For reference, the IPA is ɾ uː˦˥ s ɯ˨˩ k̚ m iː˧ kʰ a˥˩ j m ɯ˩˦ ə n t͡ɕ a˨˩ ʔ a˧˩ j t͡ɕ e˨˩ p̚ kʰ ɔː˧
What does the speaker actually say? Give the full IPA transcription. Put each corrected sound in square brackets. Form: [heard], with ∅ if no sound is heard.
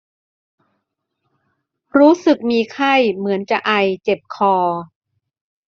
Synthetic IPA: ɾ uː˦˥ s ɯ˨˩ k̚ m iː˧ kʰ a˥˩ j m ɯ˩˦ ə n t͡ɕ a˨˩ ʔ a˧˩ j t͡ɕ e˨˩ p̚ kʰ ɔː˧